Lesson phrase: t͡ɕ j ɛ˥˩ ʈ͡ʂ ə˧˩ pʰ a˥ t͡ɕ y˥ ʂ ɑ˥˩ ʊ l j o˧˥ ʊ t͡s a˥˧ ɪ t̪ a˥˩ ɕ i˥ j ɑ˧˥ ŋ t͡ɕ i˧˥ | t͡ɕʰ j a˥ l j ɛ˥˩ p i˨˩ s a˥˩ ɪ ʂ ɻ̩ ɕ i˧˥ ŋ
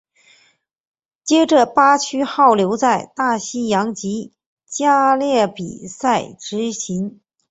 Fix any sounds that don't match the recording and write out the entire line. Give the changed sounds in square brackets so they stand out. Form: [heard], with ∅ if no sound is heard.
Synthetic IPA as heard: t͡ɕ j [ɛ˥] ʈ͡ʂ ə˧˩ [p] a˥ [t͡ɕʰ] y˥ [x] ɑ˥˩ ʊ l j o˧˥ ʊ t͡s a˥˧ ɪ t̪ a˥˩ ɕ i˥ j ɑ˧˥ ŋ t͡ɕ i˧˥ | [t͡ɕ] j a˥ l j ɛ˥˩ p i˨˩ s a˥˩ ɪ [ʈ͡ʂ] ɻ̩ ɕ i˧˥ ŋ